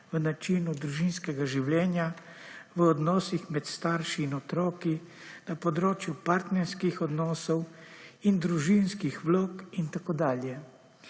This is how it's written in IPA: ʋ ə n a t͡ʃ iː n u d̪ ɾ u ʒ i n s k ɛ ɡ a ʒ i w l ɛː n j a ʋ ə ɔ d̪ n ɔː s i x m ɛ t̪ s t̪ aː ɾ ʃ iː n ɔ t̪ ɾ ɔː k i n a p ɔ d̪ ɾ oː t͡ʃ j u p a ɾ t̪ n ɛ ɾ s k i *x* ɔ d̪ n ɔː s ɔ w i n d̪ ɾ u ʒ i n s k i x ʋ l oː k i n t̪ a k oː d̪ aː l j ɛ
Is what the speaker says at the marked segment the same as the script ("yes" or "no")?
yes